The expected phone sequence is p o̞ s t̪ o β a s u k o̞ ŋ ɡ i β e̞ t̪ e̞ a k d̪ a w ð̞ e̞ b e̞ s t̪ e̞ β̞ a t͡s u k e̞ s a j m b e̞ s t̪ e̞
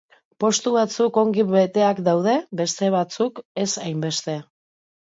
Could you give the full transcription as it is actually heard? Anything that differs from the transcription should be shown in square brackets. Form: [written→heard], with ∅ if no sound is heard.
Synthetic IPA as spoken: p o̞ s t̪ [o→u] β a [s→t͡s] u k o̞ ŋ ɡ i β e̞ t̪ e̞ a k d̪ a w ð̞ e̞ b e̞ s t̪ e̞ β̞ a t͡s u k e̞ s a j m b e̞ s t̪ e̞